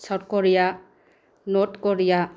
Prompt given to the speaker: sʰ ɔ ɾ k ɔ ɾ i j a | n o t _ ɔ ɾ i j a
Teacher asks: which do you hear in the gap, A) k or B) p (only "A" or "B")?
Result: A